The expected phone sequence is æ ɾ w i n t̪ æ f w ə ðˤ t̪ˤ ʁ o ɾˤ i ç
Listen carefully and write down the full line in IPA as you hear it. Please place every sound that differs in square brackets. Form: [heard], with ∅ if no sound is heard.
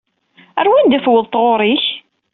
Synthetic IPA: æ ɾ w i n [d̪] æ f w ə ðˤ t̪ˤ ʁ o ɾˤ i ç

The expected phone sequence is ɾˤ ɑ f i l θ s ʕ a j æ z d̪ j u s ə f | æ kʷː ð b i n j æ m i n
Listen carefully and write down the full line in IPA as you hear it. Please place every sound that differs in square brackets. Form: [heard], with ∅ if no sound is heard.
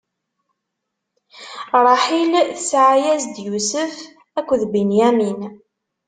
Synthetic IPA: ɾˤ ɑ [ħ] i l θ s ʕ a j æ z d̪ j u s ə f | æ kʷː ð b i n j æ m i n

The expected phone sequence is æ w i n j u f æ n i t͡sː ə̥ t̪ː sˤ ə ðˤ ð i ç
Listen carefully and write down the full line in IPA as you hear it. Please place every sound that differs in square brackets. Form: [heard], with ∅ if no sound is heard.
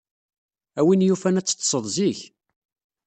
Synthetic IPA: æ w i n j u f æ n [æ] t͡sː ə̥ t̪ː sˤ ə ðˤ [z] i ç

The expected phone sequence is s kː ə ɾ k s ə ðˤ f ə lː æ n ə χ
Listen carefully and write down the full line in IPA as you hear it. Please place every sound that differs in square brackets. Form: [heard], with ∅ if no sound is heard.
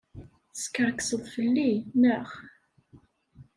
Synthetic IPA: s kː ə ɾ k s ə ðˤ f ə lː [i] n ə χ

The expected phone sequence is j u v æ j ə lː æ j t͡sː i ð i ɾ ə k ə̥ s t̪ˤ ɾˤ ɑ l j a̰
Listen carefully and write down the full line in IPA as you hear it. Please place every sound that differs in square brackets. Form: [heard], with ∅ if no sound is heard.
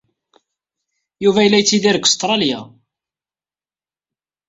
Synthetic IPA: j u v æ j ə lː æ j t͡sː i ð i ɾ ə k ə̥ s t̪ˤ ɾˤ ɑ l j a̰

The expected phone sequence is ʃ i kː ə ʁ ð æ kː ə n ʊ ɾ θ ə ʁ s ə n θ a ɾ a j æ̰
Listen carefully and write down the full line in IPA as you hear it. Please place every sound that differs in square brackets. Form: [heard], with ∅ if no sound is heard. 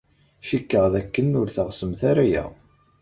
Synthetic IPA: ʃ i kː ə ʁ ð æ kː ə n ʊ ɾ θ ə ʁ s ə [m] θ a ɾ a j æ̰

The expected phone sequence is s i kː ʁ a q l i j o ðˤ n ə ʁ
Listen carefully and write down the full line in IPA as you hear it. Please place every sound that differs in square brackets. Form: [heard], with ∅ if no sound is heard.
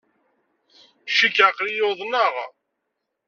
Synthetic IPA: [ʃ] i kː [ʕ] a q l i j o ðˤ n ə ʁ

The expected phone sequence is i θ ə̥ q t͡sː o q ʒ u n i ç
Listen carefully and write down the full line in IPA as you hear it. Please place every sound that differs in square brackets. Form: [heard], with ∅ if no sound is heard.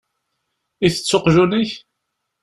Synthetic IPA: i θ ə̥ [∅] t͡sː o q ʒ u n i ç

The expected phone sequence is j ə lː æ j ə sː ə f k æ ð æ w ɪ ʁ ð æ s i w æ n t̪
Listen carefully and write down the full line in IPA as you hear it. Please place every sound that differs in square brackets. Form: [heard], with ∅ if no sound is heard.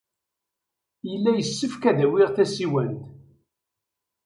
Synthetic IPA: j ə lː æ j ə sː ə f k æ ð æ w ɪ ʁ [θ] æ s i w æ n t̪

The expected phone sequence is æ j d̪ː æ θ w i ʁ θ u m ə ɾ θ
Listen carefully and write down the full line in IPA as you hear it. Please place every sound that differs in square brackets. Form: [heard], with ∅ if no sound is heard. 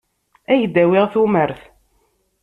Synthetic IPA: æ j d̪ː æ [∅] w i ʁ θ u m ə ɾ θ

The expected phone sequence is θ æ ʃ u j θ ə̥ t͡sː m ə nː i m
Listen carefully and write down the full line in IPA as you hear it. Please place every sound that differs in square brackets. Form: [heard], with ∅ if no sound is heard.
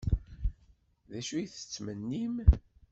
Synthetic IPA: [ð] æ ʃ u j θ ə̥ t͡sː m ə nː i m

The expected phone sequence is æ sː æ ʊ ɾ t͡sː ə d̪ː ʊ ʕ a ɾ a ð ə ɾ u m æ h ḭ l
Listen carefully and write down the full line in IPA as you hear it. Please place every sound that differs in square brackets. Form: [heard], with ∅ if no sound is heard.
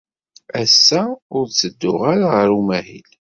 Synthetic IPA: æ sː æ ʊ ɾ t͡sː ə d̪ː ʊ [ʁ] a ɾ a [ʁ] ə ɾ u m æ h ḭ l

